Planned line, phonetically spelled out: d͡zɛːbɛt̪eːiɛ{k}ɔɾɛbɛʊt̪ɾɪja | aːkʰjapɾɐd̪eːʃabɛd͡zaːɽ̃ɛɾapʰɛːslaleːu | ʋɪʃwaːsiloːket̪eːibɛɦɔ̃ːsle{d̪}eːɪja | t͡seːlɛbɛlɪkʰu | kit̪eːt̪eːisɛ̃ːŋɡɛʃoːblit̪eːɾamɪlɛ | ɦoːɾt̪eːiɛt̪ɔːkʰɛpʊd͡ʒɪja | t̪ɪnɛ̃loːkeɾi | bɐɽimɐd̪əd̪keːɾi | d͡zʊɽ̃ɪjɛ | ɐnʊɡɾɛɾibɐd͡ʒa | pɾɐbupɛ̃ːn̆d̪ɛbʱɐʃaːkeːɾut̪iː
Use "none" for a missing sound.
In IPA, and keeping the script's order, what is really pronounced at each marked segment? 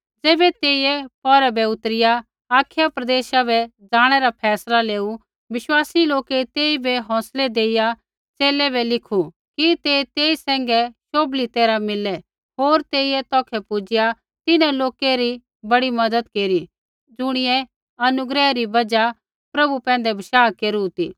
p, d̪

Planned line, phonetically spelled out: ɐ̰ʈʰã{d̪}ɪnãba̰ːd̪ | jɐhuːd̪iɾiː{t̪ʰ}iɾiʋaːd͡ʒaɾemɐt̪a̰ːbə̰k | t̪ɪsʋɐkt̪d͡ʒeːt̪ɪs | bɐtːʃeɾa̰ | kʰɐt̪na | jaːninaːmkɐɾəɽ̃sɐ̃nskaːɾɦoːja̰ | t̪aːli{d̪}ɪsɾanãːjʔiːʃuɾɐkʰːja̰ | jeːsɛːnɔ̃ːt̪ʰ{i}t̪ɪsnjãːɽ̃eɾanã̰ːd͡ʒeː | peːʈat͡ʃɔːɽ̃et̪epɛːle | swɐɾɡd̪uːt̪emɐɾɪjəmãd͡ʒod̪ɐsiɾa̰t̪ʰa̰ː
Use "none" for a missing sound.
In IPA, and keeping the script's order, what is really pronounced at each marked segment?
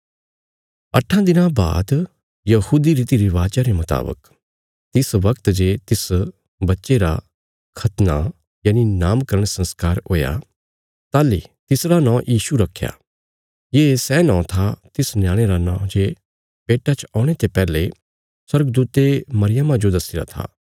d̪, t̪, t̪, a

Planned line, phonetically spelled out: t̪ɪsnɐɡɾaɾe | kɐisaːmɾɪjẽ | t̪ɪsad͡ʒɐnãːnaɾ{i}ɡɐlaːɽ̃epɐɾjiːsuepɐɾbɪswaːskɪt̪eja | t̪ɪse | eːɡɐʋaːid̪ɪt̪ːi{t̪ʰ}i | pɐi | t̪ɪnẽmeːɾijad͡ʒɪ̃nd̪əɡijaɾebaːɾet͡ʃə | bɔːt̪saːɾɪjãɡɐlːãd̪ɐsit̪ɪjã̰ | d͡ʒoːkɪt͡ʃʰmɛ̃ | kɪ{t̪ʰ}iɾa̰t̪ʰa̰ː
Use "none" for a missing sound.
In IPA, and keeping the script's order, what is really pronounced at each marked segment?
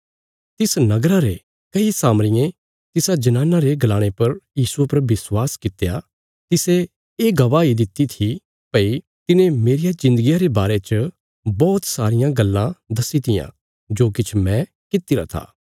e, t̪ʰ, t̪

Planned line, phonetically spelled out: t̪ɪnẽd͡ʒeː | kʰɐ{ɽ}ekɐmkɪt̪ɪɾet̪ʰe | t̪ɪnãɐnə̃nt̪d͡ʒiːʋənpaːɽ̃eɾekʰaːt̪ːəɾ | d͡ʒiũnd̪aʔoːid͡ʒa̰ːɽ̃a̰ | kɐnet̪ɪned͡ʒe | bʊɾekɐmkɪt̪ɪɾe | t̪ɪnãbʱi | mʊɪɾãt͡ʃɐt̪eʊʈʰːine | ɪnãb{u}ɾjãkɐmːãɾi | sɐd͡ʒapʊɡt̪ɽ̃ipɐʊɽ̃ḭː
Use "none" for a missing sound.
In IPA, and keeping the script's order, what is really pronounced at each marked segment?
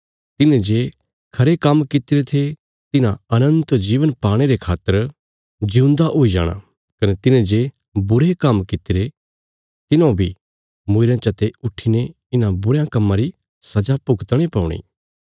ɾ, ʊ

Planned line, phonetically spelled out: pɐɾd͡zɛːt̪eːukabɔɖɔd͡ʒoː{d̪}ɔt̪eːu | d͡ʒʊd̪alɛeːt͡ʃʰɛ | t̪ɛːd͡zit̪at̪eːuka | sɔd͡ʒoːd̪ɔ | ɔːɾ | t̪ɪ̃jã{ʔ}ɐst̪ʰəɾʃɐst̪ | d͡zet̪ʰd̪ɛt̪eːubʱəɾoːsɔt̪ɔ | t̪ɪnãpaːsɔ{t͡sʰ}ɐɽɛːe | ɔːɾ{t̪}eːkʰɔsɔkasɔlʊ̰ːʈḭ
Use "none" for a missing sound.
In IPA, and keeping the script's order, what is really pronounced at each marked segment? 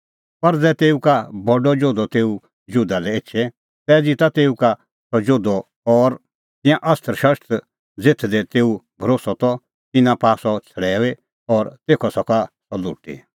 d̪, ʔ, t͡sʰ, t̪

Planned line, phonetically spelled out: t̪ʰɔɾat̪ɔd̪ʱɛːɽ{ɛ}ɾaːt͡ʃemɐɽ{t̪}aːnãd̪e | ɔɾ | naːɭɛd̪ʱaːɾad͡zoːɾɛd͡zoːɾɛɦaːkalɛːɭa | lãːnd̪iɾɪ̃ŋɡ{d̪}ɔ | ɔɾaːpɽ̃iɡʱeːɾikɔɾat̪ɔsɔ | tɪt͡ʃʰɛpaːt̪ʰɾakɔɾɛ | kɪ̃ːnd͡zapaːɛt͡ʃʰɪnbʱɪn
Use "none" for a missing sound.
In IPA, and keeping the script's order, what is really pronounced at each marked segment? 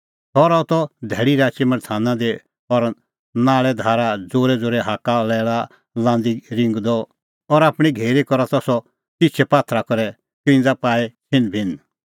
i, t̪ʰ, d̪

